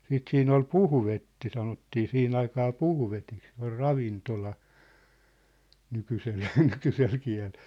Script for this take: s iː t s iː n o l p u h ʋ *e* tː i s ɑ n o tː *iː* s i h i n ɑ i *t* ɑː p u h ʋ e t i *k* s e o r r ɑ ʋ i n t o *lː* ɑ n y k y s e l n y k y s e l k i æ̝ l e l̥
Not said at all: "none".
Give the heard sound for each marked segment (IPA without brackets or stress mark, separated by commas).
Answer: e, iː, k, k, l